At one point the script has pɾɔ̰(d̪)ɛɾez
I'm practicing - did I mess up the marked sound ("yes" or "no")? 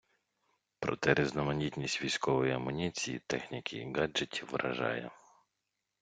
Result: yes